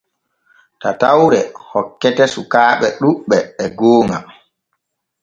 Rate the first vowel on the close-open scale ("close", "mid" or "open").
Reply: open